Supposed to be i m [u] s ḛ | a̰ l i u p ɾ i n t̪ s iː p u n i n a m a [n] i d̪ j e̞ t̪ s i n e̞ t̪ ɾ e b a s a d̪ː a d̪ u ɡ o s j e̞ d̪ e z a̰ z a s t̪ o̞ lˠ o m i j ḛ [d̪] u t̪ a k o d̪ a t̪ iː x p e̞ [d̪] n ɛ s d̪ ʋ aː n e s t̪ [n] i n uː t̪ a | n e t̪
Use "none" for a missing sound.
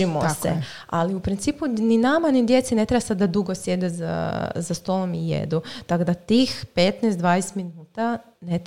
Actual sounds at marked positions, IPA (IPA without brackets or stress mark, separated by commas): o, n, d̪, t̪, m